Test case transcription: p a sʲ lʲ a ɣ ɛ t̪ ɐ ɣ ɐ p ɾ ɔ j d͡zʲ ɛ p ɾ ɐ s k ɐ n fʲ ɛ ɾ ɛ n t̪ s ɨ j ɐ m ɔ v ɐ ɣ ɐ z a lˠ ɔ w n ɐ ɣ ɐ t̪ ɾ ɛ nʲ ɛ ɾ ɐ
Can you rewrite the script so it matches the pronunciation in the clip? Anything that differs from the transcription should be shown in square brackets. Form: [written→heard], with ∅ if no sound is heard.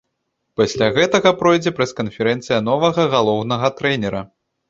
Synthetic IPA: p a sʲ lʲ a ɣ ɛ t̪ ɐ ɣ ɐ p ɾ ɔ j d͡zʲ ɛ p ɾ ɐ s k ɐ n fʲ ɛ ɾ ɛ n t̪ s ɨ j ɐ [m→n] ɔ v ɐ ɣ ɐ [z→ɣ] a lˠ ɔ w n ɐ ɣ ɐ t̪ ɾ ɛ nʲ ɛ ɾ ɐ